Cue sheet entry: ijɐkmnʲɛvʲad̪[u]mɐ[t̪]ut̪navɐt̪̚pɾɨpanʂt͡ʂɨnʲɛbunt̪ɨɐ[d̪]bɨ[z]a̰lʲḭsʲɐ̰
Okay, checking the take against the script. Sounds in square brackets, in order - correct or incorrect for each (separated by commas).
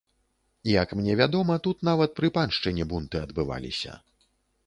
incorrect, correct, correct, incorrect